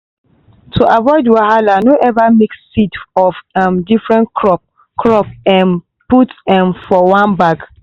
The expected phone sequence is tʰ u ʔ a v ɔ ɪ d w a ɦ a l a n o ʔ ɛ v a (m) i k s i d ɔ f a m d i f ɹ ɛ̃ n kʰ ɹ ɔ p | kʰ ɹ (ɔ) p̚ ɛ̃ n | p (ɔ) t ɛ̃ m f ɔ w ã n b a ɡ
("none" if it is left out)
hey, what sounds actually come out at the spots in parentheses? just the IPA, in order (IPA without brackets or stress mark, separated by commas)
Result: m, ɔ, u